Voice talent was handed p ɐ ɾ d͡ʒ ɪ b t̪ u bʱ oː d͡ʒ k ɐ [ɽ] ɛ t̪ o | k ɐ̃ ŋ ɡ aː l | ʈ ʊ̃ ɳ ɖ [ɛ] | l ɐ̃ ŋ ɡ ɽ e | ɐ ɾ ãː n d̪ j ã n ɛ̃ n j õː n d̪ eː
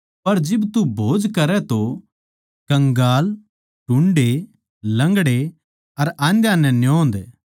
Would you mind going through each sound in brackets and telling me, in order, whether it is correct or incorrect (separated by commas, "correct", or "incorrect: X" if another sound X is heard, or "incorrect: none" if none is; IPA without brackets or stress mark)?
incorrect: ɾ, incorrect: e